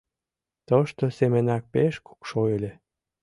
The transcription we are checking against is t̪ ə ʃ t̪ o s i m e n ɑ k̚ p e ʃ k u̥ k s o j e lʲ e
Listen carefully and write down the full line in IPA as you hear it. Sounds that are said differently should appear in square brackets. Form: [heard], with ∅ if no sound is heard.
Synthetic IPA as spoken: t̪ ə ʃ t̪ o s [e] m e n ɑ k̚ p e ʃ k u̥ k [ʃ] o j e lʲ e